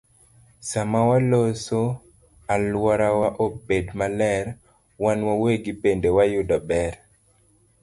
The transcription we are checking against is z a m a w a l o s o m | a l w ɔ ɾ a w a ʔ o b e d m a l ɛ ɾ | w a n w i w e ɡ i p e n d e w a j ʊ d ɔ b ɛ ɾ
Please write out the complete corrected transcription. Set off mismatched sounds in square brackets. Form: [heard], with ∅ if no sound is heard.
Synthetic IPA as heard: [s] a m a w a l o s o [∅] | a l w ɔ ɾ a w a ʔ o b e d m a l ɛ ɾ | w a n w [a] w e ɡ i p e n d e w a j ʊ d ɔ b ɛ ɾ

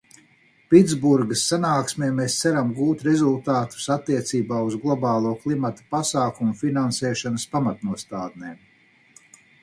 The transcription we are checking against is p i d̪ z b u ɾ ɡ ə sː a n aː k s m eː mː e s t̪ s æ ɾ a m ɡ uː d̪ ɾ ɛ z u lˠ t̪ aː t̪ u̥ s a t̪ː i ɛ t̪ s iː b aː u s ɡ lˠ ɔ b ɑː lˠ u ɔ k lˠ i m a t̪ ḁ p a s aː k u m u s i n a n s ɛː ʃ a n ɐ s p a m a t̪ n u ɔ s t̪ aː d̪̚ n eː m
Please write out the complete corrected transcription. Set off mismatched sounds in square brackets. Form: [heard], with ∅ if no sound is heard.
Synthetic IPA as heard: p i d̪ z b u ɾ ɡ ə sː a n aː k s m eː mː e s t̪ s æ ɾ a m ɡ uː [t̪] ɾ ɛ z u lˠ t̪ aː t̪ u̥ s a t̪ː i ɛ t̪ s iː b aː u [z] ɡ lˠ ɔ b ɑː lˠ u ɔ k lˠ i m a t̪ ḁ p a s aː k u m u [f] i n a n s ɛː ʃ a n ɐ s p a m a t̪ n u ɔ s t̪ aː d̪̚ n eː m

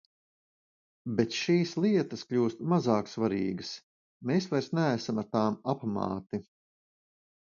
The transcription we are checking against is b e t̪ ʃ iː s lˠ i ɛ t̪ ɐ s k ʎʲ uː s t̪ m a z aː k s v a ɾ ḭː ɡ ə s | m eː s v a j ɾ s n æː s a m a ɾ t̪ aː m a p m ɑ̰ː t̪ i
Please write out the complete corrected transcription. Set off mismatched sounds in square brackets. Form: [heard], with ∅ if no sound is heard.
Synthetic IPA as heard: b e t̪ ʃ iː s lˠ i ɛ t̪ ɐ s k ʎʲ uː s t̪ m a z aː k s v a ɾ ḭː ɡ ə s | m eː s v a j ɾ s n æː s a m a ɾ t̪ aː m a p m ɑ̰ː t̪ i

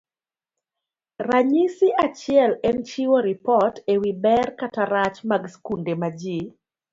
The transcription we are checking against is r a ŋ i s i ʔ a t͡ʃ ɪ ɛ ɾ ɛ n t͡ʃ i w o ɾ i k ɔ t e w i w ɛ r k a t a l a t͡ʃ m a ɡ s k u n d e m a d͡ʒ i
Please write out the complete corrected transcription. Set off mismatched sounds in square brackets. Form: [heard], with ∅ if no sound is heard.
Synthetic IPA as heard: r a [ɲ] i s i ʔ a t͡ʃ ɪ ɛ [l] ɛ n t͡ʃ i w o ɾ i [p] ɔ t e w i [b] ɛ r k a t a [ɾ] a t͡ʃ m a ɡ s k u n d e m a d͡ʒ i

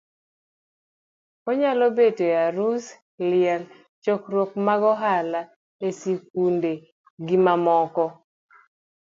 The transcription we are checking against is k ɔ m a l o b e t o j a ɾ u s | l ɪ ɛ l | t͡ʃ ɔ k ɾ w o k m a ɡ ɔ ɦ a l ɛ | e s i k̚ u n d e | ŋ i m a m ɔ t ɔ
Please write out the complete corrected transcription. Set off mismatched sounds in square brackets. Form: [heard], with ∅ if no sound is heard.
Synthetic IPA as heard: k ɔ [ɲ] a l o b e t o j a ɾ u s | l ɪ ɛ l | t͡ʃ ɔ k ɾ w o k m a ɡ ɔ ɦ a l [a] | e s i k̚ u n d e | [ɡ] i m a m ɔ [k] ɔ

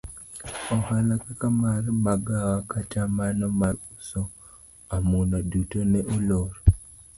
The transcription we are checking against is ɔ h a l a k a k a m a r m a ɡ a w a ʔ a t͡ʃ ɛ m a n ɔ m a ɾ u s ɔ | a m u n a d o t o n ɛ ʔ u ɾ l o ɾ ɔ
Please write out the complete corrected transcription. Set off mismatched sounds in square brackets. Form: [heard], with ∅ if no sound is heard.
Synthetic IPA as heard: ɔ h a l a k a k a m a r m a ɡ a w a [k] a t͡ʃ [a] m a n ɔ m a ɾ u s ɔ | a m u n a d [u] t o n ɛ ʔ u [∅] l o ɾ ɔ

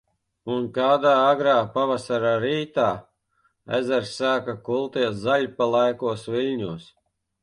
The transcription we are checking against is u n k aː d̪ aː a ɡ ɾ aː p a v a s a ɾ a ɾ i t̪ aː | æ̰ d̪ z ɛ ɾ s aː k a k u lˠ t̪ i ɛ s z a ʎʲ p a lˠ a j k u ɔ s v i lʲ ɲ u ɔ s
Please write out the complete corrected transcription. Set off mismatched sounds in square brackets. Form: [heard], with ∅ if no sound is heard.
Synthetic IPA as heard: u n k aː d̪ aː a ɡ ɾ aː p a v a s a ɾ a ɾ [iː] t̪ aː | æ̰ [∅] z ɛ ɾ s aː k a k u lˠ t̪ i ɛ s z a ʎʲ p a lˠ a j k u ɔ s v i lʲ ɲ u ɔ s

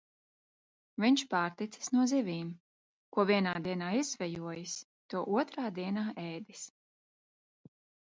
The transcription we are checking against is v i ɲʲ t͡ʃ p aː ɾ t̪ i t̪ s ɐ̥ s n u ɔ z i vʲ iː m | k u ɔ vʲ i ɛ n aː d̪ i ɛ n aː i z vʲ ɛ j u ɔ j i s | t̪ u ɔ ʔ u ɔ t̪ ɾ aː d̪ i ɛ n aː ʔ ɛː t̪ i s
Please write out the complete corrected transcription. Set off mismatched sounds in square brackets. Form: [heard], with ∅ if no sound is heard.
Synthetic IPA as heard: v i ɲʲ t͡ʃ p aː ɾ t̪ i t̪ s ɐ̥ s n u ɔ z i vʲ iː m | k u ɔ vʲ i ɛ n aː d̪ i ɛ n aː i z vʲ ɛ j u ɔ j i s | t̪ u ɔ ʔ u ɔ t̪ ɾ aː d̪ i ɛ n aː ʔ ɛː [d̪] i s

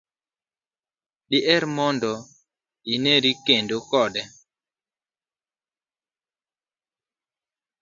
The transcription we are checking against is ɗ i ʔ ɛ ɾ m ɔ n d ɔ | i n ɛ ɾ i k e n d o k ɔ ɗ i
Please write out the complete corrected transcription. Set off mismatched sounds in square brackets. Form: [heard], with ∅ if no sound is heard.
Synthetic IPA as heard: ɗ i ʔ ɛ ɾ m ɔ n d ɔ | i n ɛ ɾ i k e n d o k ɔ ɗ [ɛ]

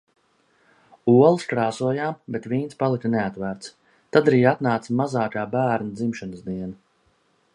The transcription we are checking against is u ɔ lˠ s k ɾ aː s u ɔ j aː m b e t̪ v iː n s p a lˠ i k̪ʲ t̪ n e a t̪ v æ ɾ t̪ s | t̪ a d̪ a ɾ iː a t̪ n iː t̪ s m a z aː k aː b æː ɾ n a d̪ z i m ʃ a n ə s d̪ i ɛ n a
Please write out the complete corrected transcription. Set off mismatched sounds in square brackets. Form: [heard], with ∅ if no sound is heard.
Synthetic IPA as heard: u ɔ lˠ s k ɾ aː s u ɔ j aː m b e t̪ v iː n s p a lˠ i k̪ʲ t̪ n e a t̪ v æ ɾ t̪ s | t̪ a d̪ a ɾ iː a t̪ n [aː] t̪ s m a z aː k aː b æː ɾ n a d̪ z i m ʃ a n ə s d̪ i ɛ n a

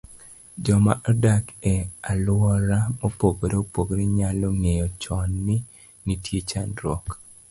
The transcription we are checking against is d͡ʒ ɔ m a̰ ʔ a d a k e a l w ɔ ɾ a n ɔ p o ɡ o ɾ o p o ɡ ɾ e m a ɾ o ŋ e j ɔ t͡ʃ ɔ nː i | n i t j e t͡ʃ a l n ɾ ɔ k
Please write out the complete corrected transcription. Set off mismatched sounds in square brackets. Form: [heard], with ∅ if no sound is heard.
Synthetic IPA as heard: d͡ʒ ɔ m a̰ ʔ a d a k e a l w ɔ ɾ a [m] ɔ p o ɡ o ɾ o p o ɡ ɾ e [ɲ] a [l] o ŋ e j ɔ t͡ʃ ɔ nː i | n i t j e t͡ʃ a [∅] n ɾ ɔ k

